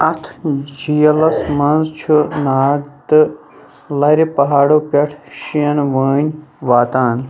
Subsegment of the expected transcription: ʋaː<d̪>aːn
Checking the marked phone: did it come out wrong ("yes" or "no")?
yes